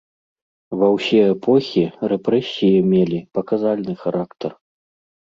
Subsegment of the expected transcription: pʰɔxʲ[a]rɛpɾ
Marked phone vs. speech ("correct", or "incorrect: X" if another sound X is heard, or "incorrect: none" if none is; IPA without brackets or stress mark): incorrect: i